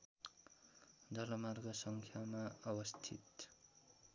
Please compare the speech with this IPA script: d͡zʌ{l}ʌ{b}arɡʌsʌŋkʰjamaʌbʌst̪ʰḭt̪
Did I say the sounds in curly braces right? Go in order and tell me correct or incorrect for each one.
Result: correct, incorrect

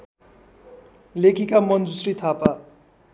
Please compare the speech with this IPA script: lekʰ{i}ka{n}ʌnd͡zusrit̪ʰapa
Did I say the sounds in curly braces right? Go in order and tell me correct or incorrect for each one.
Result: correct, incorrect

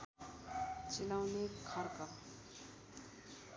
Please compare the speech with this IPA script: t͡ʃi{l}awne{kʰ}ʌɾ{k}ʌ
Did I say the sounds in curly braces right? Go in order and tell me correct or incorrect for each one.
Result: correct, correct, correct

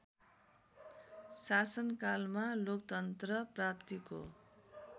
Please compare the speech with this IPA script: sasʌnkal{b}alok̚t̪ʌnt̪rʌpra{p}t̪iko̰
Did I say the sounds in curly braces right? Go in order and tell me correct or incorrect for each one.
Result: incorrect, correct

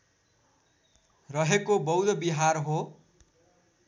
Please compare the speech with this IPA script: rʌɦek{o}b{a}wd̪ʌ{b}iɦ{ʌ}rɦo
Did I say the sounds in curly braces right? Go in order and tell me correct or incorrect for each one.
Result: correct, incorrect, correct, incorrect

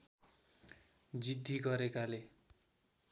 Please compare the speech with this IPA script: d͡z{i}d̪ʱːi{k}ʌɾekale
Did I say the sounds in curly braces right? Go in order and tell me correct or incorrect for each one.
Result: correct, incorrect

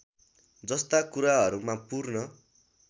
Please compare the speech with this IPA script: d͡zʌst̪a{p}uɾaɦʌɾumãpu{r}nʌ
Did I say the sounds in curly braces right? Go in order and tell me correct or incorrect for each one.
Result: incorrect, correct

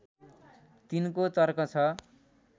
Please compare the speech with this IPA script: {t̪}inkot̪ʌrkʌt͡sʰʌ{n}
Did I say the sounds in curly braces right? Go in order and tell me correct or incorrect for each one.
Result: correct, incorrect

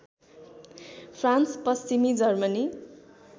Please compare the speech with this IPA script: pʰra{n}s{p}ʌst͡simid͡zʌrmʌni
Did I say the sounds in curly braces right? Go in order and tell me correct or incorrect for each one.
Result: correct, correct

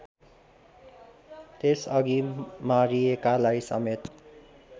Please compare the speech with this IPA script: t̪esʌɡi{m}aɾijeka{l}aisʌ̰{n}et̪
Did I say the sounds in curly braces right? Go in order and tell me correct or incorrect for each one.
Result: correct, correct, incorrect

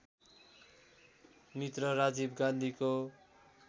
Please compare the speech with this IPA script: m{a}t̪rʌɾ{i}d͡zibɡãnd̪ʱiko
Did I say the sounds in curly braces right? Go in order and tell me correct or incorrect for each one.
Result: incorrect, incorrect

